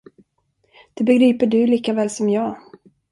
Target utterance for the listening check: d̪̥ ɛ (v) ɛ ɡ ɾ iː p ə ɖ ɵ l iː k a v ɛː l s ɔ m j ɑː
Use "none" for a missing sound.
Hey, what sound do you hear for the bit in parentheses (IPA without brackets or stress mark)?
b